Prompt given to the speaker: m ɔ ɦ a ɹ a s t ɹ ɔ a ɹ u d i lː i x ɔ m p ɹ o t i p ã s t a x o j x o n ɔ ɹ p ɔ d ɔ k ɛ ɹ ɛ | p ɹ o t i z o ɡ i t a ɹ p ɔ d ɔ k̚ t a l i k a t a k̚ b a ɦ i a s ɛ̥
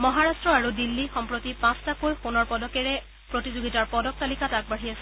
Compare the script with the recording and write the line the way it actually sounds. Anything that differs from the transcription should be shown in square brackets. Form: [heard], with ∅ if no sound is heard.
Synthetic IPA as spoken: m ɔ ɦ a ɹ a s t ɹ ɔ a ɹ u d i lː i x ɔ m p ɹ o t i p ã s t a [k] o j x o n ɔ ɹ p ɔ d ɔ k ɛ ɹ ɛ | p ɹ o t i z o ɡ i t a ɹ p ɔ d ɔ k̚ t a l i k a t a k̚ b a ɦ i a s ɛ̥

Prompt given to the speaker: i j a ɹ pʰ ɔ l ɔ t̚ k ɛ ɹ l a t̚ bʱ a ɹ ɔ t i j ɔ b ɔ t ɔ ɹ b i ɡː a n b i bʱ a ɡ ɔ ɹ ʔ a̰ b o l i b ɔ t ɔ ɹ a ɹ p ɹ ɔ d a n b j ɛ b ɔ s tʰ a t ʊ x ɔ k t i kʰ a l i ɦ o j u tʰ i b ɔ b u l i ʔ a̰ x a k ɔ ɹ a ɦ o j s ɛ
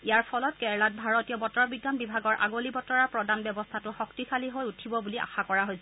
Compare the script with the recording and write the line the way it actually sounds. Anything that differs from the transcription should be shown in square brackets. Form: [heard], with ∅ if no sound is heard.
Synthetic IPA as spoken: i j a ɹ pʰ ɔ l ɔ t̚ k ɛ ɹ l a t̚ bʱ a ɹ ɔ t i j ɔ b ɔ t ɔ ɹ b i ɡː a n b i bʱ a ɡ ɔ ɹ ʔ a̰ [ɡ] o l i b ɔ t ɔ ɹ a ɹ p ɹ ɔ d a n b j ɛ b ɔ s tʰ a t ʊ x ɔ k t i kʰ a l i ɦ o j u tʰ i b ɔ b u l i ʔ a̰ x a k ɔ ɹ a ɦ o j s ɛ

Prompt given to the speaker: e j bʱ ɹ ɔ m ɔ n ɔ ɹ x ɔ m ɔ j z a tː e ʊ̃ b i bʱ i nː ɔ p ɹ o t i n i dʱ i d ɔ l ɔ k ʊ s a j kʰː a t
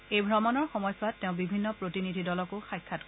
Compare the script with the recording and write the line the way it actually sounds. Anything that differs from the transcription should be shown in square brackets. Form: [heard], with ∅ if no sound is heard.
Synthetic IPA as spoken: e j bʱ ɹ ɔ m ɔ n ɔ ɹ x ɔ m ɔ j [s] a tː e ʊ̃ b i bʱ i nː ɔ p ɹ o t i n i dʱ i d ɔ l ɔ k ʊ [x] a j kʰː a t

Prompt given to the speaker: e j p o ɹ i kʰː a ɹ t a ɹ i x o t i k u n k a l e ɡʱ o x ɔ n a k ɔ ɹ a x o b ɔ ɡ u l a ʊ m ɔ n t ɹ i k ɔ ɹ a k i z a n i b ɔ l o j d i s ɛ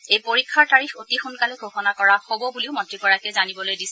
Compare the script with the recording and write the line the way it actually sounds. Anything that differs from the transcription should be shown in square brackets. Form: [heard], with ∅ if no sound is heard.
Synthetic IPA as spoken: e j p o ɹ i kʰː a ɹ t a ɹ i x o t i [x] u n k a l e ɡʱ o x ɔ n a k ɔ ɹ a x o b ɔ [b] u l [i] ʊ m ɔ n t ɹ i k ɔ ɹ a k [ɛ] z a n i b ɔ l o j d i s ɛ

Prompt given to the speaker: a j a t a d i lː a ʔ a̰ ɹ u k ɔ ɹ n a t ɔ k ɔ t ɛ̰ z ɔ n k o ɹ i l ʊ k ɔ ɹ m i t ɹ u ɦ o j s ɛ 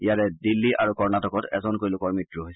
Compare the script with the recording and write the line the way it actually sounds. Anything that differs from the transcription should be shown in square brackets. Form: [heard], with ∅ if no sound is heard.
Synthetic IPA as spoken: [i] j a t [ɛ] d i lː [i] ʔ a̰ ɹ u k ɔ ɹ n a t ɔ k ɔ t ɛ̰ z ɔ n k o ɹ i l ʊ k ɔ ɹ m i t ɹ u ɦ o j s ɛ

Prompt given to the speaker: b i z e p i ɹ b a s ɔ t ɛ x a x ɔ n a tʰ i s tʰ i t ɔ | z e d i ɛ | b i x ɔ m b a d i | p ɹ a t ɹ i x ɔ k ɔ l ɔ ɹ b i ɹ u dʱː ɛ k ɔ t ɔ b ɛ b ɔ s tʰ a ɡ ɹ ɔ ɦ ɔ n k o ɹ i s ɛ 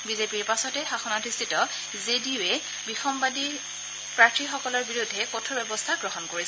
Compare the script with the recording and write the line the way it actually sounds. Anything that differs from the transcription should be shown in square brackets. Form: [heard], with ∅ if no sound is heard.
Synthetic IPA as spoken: b i z e p i ɹ [p] a s ɔ t ɛ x a x ɔ n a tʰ i s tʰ i t ɔ | z e d i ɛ | b i x ɔ m b a d i | p ɹ a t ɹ i x ɔ k ɔ l ɔ ɹ b i ɹ u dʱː ɛ k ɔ [tʰ] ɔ b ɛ b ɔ s tʰ a ɡ ɹ ɔ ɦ ɔ n k o ɹ i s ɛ

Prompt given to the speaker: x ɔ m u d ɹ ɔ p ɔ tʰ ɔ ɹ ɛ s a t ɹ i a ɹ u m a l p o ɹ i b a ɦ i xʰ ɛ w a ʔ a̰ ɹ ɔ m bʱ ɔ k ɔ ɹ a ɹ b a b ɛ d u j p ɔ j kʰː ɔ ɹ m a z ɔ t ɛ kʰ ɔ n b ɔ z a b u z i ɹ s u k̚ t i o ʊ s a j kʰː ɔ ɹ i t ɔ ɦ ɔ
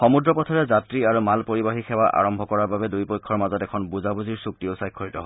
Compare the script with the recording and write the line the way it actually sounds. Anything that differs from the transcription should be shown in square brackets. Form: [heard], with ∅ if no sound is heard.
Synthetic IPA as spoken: x ɔ m u d ɹ ɔ p ɔ tʰ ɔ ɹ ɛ [z] a t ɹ i a ɹ u m a l p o ɹ i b a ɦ i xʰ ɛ w a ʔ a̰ ɹ ɔ m bʱ ɔ k ɔ ɹ a ɹ b a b ɛ d u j p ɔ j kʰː ɔ ɹ m a z ɔ t ɛ kʰ ɔ n b [u] z a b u z i ɹ s u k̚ t i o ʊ s a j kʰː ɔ ɹ i t ɔ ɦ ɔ

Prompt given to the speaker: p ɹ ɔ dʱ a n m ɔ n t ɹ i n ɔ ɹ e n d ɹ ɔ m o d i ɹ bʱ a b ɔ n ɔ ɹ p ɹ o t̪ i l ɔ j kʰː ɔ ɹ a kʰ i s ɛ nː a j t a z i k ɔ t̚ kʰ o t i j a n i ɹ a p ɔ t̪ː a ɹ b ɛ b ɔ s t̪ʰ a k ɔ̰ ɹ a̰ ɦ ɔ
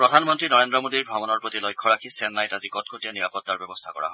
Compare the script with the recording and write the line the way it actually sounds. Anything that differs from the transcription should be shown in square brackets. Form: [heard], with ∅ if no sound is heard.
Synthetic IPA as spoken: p ɹ ɔ dʱ a n m ɔ n t ɹ i n ɔ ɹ e n d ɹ ɔ m o d i ɹ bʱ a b ɔ n ɔ ɹ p ɹ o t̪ i l ɔ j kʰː ɔ ɹ a kʰ i s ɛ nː a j t a z i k ɔ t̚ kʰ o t i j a n i ɹ a p ɔ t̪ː a ɹ b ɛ b ɔ s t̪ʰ a k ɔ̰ ɹ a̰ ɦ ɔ

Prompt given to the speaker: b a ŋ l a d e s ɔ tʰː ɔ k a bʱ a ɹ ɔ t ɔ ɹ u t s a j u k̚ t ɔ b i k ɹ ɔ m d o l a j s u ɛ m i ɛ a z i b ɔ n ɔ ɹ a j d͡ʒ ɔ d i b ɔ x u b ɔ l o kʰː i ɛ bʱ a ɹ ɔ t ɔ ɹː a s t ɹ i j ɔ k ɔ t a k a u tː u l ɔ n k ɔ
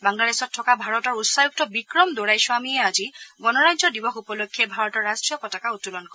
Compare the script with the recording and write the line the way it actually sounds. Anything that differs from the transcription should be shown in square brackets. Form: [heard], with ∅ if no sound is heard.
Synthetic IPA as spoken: b a ŋ l a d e s ɔ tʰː ɔ k a bʱ a ɹ ɔ t ɔ ɹ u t s a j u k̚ t ɔ b i k ɹ ɔ m d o [ɹ] a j s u [a] m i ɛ a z i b ɔ n ɔ ɹ a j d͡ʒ ɔ d i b ɔ x u [p] ɔ l o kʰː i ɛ bʱ a ɹ ɔ t ɔ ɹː a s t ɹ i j ɔ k ɔ t a k a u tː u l ɔ n k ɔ

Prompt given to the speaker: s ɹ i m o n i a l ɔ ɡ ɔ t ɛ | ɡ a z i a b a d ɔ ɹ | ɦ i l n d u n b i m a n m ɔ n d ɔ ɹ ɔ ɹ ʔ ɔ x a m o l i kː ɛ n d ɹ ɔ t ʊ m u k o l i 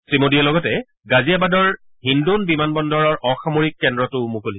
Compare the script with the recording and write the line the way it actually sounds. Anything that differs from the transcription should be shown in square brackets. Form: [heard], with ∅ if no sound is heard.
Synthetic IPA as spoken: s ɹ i m o [d] i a l ɔ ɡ ɔ t ɛ | ɡ a z i a b a d ɔ ɹ | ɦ i [∅] n d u n b i m a n [b] ɔ n d ɔ ɹ ɔ ɹ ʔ ɔ x a m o [ɹ] i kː ɛ n d ɹ ɔ t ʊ m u k o l i

